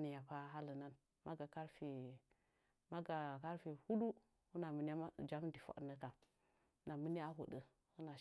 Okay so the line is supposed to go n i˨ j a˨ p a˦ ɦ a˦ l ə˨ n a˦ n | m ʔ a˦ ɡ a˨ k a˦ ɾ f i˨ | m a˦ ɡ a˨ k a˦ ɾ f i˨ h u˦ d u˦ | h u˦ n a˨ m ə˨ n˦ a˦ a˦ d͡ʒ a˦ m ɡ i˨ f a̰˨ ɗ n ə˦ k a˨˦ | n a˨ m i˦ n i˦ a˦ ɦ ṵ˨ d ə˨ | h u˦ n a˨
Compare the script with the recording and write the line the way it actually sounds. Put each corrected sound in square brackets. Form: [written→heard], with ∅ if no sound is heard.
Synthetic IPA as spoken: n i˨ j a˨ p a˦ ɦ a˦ l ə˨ n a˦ n | m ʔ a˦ ɡ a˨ k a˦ ɾ f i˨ | m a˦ ɡ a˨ k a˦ ɾ f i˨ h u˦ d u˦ | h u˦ n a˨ m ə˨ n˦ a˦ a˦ d͡ʒ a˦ m [ɡ→d] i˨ f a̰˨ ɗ n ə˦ k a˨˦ | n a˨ m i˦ n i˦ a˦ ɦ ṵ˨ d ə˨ | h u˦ n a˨